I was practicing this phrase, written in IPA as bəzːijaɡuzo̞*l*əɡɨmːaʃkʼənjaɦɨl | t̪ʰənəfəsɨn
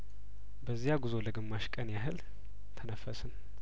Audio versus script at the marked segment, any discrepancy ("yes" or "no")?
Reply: no